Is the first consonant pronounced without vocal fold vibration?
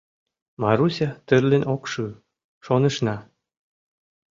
no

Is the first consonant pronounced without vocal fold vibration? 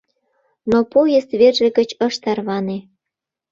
no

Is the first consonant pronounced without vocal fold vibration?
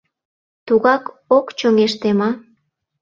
yes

